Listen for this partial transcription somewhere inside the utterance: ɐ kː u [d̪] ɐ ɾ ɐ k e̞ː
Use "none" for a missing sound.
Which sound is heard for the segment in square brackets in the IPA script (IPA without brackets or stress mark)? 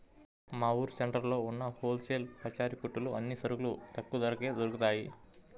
d̪